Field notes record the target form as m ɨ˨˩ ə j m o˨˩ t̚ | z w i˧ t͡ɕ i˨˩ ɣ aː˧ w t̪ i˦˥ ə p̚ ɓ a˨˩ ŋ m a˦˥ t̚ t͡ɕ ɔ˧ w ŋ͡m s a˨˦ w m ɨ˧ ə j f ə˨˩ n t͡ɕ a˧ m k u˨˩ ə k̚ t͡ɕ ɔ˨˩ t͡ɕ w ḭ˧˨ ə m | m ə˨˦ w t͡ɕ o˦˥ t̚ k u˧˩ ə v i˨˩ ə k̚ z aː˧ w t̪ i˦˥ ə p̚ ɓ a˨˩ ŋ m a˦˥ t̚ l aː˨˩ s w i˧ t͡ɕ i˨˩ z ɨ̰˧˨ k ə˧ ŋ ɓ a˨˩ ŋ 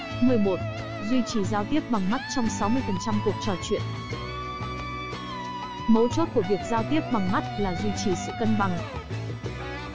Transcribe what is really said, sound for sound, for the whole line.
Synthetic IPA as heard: m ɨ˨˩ ə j m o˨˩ t̚ | z w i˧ t͡ɕ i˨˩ z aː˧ w t̪ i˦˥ ə p̚ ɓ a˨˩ ŋ m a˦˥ t̚ t͡ɕ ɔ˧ w ŋ͡m s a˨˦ w m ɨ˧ ə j f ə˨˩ n t͡ɕ a˧ m k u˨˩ ə k̚ t͡ɕ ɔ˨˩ t͡ɕ w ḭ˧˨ ə n | m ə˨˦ w t͡ɕ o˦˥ t̚ k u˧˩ ə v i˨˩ ə k̚ z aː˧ w t̪ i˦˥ ə p̚ ɓ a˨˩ ŋ m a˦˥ t̚ l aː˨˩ z w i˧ t͡ɕ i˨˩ s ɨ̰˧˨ k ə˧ n ɓ a˨˩ ŋ